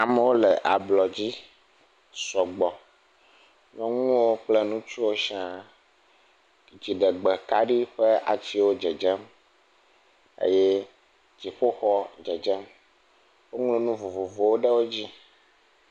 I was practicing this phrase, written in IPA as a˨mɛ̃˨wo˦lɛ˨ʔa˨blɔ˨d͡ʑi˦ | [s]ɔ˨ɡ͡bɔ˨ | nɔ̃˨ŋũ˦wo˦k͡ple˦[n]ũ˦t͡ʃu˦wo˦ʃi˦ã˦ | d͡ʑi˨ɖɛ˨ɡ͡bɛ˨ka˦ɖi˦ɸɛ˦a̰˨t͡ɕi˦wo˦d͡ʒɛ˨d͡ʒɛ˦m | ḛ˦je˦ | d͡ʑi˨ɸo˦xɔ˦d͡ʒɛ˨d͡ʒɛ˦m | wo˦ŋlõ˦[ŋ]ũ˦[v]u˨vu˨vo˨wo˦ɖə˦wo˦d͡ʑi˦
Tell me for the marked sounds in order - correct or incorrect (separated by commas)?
correct, correct, incorrect, correct